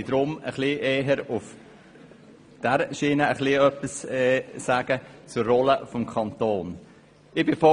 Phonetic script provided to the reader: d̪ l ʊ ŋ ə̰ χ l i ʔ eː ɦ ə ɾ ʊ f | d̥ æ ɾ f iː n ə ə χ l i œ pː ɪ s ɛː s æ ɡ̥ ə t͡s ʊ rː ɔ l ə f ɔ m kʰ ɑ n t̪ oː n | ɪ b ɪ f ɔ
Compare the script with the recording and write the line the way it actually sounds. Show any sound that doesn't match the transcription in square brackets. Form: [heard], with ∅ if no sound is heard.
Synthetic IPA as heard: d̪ [ɾ] ʊ [m] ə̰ χ l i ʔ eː ɦ ə ɾ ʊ f | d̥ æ ɾ [ʃ] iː n ə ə χ l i œ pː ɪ s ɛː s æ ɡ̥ ə t͡s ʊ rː ɔ l ə f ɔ m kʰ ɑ n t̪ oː n | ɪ b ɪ f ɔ

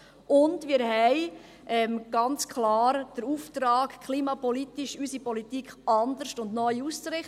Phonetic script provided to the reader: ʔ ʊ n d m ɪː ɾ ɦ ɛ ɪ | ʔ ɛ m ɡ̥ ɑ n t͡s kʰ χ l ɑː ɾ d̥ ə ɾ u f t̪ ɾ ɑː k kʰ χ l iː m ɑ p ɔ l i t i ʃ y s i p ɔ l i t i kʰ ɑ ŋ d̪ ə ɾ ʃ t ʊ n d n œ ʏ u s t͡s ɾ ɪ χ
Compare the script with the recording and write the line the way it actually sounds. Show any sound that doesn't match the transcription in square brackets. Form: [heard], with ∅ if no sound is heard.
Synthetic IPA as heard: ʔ ʊ n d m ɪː ɾ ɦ ɛ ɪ | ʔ ɛ m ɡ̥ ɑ n t͡s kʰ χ l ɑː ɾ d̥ ə ɾ u f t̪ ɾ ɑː k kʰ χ l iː m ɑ p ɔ l i t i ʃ y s i p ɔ l i t i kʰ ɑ [n] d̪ ə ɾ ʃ t ʊ n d n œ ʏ u s t͡s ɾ ɪ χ

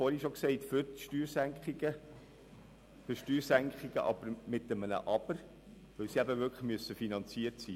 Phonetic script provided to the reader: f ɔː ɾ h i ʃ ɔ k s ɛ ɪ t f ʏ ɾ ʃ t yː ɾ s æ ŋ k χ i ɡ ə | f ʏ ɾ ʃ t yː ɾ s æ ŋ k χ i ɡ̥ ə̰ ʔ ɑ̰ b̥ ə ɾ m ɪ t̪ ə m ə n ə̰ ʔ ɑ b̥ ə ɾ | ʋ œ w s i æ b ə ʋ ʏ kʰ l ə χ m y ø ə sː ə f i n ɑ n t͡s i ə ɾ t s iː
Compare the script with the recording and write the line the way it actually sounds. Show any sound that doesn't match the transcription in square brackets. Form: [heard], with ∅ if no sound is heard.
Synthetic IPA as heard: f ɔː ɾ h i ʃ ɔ k s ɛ ɪ t f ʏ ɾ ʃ t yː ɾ s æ ŋ k χ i ɡ ə | f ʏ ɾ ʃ t yː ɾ s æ ŋ k χ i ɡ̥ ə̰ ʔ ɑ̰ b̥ ə ɾ m ɪ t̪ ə m ə n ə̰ ʔ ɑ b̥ ə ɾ | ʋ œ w s i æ b ə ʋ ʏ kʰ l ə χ m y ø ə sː ə f i n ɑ n t͡s i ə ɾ t s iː

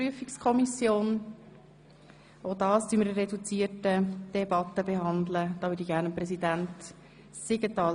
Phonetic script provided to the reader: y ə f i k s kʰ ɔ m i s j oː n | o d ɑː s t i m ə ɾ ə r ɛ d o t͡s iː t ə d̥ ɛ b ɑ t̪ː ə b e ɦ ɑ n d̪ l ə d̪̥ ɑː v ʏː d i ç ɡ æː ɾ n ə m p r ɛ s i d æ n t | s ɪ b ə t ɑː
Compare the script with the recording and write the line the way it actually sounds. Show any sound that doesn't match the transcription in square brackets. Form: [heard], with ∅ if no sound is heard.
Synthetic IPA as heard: y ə f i k s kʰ ɔ m i s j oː n | o d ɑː s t [y] m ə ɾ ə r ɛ d [u] t͡s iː t ə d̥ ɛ b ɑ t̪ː ə b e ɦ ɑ n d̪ l ə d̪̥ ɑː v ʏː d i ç ɡ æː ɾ n ə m p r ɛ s i d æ n t | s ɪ [ɡ] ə t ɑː

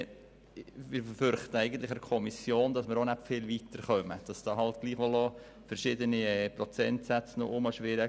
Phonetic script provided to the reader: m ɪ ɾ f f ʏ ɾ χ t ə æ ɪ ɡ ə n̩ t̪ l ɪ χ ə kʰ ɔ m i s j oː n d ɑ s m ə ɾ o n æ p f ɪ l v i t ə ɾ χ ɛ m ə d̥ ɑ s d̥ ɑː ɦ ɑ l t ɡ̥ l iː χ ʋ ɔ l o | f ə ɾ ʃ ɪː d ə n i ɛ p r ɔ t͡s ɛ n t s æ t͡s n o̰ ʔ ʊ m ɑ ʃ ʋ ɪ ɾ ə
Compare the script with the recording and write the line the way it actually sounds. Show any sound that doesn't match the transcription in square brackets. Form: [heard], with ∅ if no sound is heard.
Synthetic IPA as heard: m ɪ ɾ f f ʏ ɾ χ t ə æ ɪ ɡ ə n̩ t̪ l ɪ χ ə kʰ ɔ m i s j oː n d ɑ s m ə ɾ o n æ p f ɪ l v i t ə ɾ χ [œ] m ə d̥ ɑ s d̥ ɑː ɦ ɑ l t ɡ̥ l iː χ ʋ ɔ l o | f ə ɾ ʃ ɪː d ə n i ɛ p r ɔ t͡s ɛ n t s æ t͡s n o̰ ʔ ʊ m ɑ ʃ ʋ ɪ ɾ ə

